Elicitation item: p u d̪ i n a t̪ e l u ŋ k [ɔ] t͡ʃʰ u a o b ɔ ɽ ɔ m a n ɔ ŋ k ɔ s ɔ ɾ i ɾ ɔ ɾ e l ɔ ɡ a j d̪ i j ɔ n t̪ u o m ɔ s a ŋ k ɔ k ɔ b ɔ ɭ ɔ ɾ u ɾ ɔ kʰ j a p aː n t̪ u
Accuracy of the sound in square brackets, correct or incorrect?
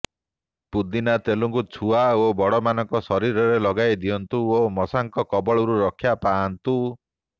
incorrect: u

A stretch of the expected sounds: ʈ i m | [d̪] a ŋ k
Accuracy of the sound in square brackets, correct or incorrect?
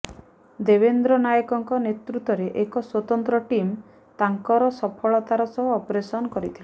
incorrect: t̪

